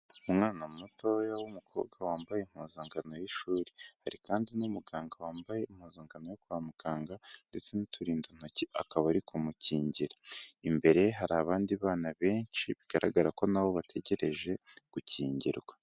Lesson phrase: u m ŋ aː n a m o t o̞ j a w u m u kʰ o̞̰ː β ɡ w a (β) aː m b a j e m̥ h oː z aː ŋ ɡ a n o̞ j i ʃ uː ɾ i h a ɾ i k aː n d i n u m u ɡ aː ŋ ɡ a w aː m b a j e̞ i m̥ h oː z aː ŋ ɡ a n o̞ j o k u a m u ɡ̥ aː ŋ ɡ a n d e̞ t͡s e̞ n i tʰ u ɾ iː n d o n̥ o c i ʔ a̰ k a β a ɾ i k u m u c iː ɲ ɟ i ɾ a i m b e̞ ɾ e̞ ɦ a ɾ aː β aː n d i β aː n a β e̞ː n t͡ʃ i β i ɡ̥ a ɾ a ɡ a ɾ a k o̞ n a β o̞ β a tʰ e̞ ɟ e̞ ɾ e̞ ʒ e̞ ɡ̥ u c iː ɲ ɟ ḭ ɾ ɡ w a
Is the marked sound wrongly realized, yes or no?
yes